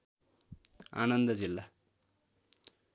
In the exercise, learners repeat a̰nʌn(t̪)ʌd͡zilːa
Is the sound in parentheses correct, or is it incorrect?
incorrect